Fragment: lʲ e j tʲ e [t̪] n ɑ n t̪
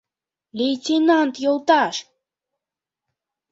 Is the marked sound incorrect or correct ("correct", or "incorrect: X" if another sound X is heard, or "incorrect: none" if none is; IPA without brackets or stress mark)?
incorrect: none